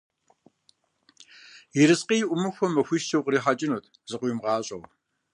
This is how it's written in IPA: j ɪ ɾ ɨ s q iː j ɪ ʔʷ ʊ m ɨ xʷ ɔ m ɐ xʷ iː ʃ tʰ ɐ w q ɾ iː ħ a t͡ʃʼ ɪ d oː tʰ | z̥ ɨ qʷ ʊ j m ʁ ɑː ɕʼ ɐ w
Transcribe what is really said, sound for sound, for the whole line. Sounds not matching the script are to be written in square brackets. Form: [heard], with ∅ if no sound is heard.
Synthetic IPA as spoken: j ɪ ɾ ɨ s q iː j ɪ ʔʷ ʊ m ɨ xʷ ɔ m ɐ xʷ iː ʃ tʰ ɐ w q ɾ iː ħ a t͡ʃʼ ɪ [n] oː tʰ | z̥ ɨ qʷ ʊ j m ʁ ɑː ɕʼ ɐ w